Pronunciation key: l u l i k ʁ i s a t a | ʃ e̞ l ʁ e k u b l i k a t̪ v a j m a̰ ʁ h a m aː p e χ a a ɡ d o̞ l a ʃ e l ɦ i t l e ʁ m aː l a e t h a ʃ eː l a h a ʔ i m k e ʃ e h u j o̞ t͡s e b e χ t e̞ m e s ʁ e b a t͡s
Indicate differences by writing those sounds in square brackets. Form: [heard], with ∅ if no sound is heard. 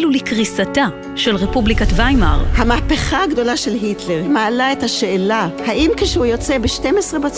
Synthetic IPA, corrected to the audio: l u l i k ʁ i s a t a | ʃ e̞ l ʁ e [p] u b l i k a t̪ v a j m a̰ ʁ h a m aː p e χ a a ɡ d o̞ l a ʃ e l ɦ i t l e ʁ m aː l a e t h a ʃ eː l a h a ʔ i m k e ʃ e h u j o̞ t͡s e b e [ʃ] t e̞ m e s ʁ e b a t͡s